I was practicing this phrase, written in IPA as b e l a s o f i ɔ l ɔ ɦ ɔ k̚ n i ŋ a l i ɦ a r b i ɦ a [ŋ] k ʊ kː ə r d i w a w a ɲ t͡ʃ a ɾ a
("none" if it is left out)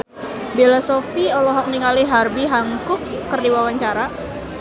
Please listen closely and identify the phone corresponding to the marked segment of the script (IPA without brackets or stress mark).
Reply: ŋ